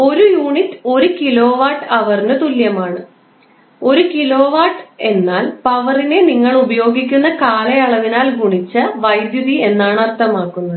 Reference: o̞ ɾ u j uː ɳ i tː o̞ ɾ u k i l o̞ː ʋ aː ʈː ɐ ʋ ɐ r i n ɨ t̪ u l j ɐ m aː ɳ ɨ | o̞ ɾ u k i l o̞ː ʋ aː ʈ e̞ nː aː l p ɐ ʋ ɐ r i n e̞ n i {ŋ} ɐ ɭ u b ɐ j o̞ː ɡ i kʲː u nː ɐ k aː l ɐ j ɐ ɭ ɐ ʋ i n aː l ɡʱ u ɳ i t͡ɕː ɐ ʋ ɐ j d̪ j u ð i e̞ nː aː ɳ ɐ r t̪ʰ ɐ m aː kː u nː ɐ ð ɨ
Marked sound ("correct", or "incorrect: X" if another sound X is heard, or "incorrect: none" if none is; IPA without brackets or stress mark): incorrect: ŋː